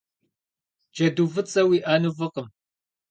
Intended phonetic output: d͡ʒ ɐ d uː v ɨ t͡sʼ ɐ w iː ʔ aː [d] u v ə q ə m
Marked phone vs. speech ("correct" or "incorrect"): incorrect